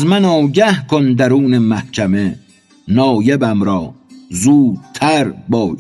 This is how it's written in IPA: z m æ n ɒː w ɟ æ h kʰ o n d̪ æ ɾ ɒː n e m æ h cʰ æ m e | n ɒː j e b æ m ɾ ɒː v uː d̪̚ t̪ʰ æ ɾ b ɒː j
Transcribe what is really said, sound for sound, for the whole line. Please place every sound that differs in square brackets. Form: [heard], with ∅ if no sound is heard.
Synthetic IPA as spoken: z m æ n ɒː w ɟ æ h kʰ o n d̪ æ ɾ [uː] n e m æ h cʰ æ m e | n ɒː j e b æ m ɾ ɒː [z] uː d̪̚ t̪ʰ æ ɾ b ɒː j